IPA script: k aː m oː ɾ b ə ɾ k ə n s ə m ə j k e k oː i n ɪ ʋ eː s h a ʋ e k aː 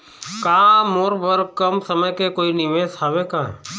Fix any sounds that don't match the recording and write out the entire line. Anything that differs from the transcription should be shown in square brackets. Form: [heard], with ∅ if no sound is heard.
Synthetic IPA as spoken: k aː m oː ɾ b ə ɾ k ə [m] s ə m ə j k e k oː i n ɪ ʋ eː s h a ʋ e k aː